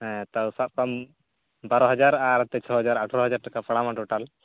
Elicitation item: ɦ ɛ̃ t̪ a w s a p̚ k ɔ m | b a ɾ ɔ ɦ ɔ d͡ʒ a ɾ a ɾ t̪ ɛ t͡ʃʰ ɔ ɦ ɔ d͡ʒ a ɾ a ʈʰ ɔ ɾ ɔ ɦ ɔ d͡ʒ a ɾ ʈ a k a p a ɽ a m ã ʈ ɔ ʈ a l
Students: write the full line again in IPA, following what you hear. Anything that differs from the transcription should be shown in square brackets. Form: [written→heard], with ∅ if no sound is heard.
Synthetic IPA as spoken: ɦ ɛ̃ t̪ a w s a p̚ k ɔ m | b a ɾ ɔ ɦ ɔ d͡ʒ a ɾ a ɾ t̪ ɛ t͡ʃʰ ɔ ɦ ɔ d͡ʒ a ɾ a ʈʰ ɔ ɾ ɔ ɦ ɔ d͡ʒ a ɾ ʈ a k a p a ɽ a m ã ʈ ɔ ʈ a l